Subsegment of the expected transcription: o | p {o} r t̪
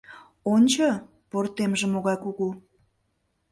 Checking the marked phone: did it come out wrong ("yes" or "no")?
no